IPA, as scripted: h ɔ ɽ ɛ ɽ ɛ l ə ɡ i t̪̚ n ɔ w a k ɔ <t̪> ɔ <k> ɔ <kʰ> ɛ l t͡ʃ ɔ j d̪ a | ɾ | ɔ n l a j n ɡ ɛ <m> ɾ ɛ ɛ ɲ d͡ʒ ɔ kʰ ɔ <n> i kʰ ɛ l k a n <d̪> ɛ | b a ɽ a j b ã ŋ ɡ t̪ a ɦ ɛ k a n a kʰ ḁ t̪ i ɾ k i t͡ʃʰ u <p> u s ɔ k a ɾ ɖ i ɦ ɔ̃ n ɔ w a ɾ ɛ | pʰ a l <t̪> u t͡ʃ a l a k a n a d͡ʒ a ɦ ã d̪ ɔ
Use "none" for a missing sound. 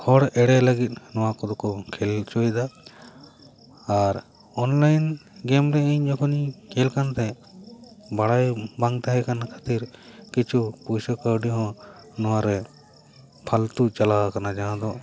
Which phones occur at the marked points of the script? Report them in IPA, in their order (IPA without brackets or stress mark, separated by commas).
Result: d̪, k, kʰ, m, n, t̪, p, t̪